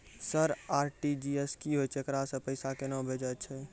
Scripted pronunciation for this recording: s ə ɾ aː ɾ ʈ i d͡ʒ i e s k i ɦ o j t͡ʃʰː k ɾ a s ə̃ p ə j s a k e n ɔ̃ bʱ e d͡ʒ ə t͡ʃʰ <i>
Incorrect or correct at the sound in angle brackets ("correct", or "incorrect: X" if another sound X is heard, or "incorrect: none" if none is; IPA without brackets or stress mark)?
incorrect: ɛ